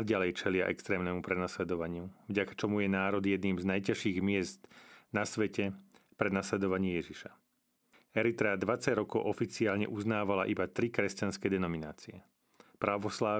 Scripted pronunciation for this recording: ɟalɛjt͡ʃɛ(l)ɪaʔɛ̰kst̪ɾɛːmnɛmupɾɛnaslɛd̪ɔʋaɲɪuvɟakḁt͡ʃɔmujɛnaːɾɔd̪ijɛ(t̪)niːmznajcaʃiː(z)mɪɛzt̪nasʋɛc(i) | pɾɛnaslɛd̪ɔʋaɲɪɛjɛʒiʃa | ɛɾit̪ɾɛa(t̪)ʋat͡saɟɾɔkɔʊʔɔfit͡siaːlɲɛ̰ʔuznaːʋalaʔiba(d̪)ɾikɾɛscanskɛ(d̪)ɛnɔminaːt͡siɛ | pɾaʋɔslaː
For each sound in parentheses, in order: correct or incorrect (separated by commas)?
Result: correct, incorrect, incorrect, incorrect, incorrect, incorrect, correct